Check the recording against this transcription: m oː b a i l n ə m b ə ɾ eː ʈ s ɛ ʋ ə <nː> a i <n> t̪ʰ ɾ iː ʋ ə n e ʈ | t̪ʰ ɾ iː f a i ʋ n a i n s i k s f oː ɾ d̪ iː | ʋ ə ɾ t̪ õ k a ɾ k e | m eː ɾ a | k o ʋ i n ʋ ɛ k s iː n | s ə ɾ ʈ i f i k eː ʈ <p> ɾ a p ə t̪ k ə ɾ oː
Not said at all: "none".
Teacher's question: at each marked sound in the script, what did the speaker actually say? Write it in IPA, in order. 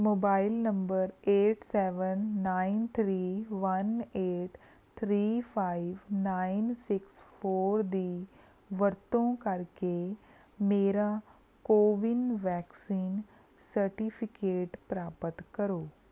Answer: nː, n, p

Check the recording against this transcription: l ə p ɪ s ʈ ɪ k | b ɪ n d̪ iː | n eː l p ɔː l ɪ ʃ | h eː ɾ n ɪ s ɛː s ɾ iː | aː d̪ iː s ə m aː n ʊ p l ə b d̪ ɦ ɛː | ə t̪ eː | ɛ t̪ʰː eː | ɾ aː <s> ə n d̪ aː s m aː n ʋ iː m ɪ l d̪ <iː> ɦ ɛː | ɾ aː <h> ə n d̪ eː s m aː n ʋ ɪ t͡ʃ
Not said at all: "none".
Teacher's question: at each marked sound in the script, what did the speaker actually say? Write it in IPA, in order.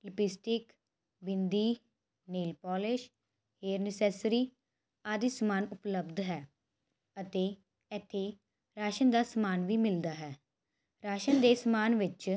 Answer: ʃ, aː, ʃ

